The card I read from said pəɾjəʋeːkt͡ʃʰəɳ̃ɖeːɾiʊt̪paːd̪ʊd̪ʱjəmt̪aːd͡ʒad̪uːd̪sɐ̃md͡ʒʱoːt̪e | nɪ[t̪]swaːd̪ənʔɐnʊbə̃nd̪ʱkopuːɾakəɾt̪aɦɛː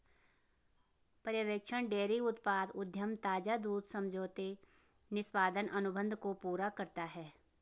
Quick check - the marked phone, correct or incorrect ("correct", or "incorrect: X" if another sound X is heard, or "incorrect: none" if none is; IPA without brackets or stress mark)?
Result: incorrect: none